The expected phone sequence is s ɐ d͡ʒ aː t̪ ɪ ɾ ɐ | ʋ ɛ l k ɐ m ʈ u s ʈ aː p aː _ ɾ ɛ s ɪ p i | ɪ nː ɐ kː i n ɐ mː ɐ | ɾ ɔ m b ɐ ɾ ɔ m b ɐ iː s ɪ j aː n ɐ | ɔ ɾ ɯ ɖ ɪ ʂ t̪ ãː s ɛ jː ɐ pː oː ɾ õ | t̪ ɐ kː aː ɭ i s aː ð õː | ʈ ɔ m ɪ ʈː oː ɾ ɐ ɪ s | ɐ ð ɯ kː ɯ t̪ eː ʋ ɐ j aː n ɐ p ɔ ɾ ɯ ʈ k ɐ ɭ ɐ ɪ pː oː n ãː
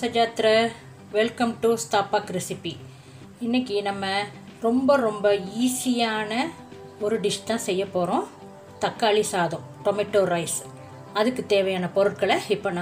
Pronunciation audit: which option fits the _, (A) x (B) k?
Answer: B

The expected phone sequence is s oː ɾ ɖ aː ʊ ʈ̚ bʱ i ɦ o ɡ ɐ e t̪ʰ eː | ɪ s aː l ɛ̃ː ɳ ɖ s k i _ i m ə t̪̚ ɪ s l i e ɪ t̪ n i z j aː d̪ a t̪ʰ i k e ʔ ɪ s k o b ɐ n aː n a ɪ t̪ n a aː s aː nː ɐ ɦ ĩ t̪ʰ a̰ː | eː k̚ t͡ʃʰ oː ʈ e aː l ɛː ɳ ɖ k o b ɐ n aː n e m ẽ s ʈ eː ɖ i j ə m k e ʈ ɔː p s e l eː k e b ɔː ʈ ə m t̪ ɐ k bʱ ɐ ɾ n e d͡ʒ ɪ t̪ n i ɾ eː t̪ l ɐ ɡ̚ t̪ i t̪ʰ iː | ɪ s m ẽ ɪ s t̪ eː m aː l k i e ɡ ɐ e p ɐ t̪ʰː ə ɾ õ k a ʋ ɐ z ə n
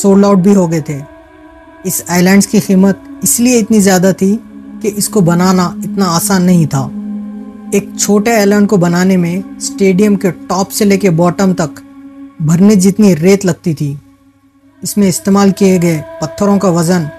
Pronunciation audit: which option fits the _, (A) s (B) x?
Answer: B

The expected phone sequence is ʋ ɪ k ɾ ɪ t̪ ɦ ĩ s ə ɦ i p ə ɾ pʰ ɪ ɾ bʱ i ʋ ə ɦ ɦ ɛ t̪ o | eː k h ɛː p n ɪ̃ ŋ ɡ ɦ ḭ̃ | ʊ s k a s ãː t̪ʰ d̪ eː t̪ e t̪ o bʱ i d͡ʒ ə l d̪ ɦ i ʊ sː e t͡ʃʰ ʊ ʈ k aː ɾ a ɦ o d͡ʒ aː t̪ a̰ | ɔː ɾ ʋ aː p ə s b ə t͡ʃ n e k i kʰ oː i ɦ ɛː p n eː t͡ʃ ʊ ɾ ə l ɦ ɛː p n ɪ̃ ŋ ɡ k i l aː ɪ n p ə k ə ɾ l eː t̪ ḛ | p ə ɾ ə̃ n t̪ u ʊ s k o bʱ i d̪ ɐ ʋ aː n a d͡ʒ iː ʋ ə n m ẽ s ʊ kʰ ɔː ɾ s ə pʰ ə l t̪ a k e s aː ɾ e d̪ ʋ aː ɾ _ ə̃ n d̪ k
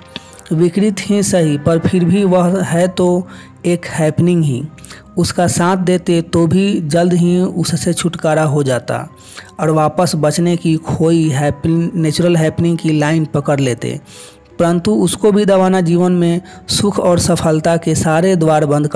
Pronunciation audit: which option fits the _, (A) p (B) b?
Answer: B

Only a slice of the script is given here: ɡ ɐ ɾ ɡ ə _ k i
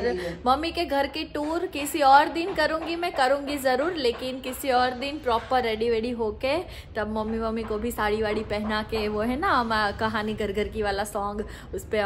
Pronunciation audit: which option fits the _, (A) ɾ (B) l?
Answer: A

